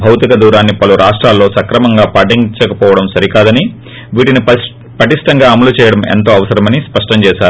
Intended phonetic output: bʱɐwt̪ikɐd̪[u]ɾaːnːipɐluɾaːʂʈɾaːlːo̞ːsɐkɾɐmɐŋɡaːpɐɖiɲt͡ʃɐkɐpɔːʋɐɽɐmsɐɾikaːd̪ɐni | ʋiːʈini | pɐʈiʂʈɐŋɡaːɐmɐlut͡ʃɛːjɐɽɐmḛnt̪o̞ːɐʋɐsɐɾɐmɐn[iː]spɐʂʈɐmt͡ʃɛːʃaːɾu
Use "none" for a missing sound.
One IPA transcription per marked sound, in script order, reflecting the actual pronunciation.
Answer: uː, i

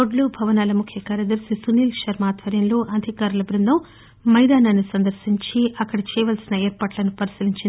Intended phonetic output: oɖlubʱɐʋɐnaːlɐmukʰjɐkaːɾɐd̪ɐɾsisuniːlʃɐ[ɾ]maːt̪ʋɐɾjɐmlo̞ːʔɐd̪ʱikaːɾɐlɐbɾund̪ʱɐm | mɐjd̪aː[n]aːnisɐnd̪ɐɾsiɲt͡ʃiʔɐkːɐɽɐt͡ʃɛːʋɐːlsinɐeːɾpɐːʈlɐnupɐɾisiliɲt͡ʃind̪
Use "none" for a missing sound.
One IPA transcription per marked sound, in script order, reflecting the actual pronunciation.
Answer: ɾ, n

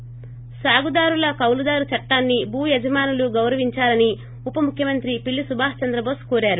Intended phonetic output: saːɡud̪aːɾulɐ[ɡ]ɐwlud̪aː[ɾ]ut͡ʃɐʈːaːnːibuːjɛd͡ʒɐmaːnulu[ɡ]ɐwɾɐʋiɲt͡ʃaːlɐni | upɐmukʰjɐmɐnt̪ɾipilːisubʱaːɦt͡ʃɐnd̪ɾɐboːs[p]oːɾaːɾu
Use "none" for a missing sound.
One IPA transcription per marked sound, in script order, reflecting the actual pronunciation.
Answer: k, ɾ, ɡ, k

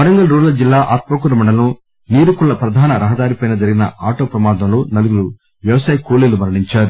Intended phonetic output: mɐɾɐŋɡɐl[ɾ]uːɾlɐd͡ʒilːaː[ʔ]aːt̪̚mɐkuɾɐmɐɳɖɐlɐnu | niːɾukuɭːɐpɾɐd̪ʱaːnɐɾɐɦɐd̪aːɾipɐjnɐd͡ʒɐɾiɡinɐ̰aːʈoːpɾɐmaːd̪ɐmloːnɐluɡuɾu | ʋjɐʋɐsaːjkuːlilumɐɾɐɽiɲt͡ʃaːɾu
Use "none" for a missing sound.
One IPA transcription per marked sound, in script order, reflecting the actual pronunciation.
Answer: ɾ, ʔ

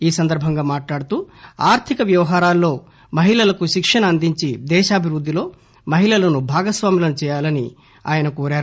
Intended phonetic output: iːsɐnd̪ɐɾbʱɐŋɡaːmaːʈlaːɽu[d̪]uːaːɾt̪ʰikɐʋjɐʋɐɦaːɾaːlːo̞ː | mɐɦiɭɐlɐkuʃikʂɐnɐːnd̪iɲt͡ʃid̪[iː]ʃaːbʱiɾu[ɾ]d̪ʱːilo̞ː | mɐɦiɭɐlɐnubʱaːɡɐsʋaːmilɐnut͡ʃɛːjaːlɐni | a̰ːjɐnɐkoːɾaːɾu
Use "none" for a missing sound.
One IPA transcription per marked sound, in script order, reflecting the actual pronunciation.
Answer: t̪, ɛː, none

